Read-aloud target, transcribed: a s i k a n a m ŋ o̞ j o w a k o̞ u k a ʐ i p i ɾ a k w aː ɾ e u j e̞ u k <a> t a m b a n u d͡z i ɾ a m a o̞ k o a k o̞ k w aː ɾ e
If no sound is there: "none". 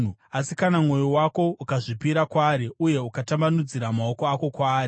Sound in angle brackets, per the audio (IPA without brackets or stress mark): a